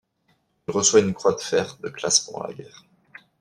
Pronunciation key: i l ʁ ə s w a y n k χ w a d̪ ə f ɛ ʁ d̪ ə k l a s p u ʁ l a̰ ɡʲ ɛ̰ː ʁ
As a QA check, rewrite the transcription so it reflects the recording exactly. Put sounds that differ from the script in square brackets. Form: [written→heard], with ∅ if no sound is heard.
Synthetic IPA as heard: i l ʁ ə s w a y n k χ w a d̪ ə f ɛ ʁ d̪ ə k l a s p u ʁ l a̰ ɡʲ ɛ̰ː ʁ

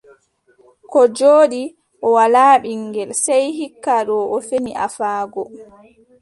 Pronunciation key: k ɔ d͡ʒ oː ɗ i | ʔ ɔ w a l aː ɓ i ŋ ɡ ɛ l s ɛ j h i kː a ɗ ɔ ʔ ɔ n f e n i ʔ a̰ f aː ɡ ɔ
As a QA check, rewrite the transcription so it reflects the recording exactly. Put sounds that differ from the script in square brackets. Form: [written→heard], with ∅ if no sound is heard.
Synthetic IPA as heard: k ɔ d͡ʒ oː ɗ i | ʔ ɔ w a l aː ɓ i ŋ ɡ ɛ l s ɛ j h i kː a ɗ ɔ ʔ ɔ [n→∅] f e n i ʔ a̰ f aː ɡ ɔ

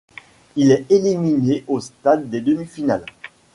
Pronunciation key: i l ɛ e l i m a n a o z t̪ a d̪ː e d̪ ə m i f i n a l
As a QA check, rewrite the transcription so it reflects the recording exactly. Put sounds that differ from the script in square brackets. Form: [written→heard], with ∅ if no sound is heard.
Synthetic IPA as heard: i l ɛ e l i m [a→i] n [a→e] o [z→s] t̪ a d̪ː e d̪ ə m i f i n a l

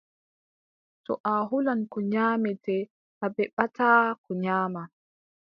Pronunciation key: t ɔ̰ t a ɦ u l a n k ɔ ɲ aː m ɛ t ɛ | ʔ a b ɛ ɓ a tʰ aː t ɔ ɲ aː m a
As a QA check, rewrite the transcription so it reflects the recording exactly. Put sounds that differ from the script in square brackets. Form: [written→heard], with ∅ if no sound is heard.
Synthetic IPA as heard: t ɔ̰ [t→ʔ] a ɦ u l a n k ɔ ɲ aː m ɛ t ɛ | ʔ a b ɛ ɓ a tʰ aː [t→k] ɔ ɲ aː m a

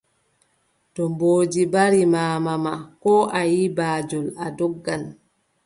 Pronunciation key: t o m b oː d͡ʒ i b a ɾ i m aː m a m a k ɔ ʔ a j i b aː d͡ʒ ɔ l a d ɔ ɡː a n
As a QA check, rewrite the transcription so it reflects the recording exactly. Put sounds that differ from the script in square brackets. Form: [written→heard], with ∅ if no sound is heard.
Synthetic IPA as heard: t [o→ɔ] m b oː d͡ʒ i b a ɾ i m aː m a m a k ɔ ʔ a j i b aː d͡ʒ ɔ l a d ɔ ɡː a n

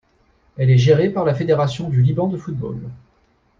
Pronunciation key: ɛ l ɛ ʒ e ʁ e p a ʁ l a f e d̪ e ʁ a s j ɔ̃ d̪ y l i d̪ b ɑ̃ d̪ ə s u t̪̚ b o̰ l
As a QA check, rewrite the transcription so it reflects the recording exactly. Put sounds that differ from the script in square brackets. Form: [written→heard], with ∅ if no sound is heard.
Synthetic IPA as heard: ɛ l ɛ ʒ e ʁ e p a ʁ l a f e d̪ e ʁ a s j ɔ̃ d̪ y l i [d̪→∅] b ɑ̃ d̪ ə [s→f] u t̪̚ b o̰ l

